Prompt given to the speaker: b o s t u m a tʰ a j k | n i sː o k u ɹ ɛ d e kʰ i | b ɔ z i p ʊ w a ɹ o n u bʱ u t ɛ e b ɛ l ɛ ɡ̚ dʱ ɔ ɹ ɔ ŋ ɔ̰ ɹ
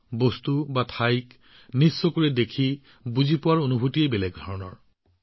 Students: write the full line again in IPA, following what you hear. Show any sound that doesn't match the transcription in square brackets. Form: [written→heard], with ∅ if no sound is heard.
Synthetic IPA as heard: b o s t u [m→b] a tʰ a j k | n i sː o k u ɹ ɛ d e kʰ i | b [ɔ→u] z i p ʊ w a ɹ o n u bʱ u t [ɛ→i] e b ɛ l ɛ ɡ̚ dʱ ɔ ɹ ɔ [ŋ→n] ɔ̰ ɹ